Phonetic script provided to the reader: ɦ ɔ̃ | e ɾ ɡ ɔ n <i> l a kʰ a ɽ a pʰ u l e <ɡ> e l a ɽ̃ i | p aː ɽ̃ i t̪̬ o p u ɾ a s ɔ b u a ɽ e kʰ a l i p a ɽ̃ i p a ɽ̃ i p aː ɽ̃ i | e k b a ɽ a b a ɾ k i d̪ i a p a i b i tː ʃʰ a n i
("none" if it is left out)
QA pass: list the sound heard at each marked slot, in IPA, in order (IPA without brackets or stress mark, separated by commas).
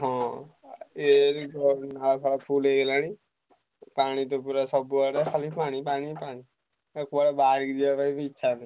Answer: a, ɡ